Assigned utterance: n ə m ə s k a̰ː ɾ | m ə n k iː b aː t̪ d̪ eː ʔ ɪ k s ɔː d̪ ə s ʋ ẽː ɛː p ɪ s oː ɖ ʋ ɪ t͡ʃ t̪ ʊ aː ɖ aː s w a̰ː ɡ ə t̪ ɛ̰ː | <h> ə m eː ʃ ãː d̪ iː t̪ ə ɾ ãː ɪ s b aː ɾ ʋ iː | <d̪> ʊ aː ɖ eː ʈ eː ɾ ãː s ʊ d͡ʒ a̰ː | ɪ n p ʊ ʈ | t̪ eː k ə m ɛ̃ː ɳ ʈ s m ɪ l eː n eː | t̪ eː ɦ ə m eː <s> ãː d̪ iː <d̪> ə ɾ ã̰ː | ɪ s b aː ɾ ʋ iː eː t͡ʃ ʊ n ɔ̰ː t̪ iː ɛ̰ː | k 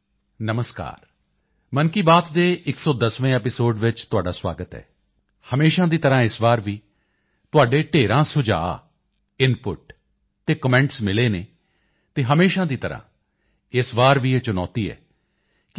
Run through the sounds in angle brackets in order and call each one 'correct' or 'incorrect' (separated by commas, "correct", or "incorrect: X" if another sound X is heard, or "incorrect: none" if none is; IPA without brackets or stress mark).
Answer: correct, incorrect: t̪, incorrect: ʃ, incorrect: t̪